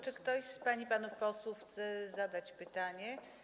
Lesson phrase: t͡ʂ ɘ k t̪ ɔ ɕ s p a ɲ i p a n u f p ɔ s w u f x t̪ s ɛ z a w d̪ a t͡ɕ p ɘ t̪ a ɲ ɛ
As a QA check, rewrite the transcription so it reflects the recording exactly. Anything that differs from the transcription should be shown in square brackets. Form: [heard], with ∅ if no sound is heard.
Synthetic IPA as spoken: t͡ʂ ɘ k t̪ ɔ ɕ s p a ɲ i p a n u f p ɔ s w u f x t̪ s ɛ z a [∅] d̪ a t͡ɕ p ɘ t̪ a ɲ ɛ